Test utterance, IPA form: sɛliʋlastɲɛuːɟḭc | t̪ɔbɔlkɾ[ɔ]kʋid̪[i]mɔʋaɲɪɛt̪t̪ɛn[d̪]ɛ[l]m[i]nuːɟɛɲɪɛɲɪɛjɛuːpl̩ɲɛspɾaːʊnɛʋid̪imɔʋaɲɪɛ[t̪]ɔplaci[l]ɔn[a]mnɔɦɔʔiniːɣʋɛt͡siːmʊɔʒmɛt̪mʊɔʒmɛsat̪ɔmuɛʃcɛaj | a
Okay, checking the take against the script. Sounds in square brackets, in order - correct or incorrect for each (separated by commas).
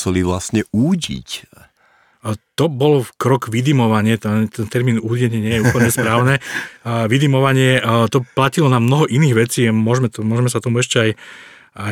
correct, correct, incorrect, incorrect, incorrect, correct, correct, correct